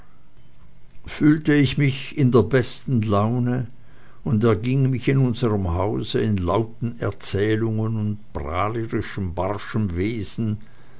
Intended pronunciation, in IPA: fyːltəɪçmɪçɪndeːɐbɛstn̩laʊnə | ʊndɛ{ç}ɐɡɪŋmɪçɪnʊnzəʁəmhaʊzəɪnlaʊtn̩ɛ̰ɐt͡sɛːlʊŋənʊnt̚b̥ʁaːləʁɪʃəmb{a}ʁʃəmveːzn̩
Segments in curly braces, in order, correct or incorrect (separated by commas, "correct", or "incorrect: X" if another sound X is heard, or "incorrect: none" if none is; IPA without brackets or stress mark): incorrect: none, correct